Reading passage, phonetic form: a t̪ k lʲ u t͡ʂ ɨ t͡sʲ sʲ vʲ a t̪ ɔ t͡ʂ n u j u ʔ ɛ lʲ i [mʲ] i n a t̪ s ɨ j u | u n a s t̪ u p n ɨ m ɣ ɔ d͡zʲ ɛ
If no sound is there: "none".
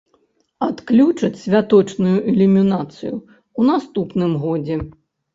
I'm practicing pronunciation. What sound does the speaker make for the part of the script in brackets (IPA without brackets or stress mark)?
mʲ